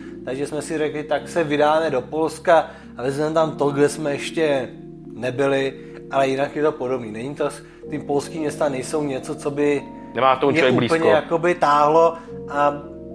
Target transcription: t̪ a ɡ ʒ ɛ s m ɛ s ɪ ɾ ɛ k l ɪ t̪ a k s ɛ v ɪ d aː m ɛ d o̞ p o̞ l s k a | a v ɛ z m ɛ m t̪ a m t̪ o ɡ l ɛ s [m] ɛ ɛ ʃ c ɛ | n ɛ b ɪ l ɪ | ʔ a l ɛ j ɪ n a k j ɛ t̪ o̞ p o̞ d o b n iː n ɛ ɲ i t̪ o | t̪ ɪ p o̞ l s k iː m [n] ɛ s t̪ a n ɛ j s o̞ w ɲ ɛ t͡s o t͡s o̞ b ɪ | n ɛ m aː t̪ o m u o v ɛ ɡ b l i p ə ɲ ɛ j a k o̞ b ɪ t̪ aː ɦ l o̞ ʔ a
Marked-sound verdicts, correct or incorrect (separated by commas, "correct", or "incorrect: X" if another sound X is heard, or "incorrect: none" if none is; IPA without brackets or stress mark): correct, incorrect: ɲ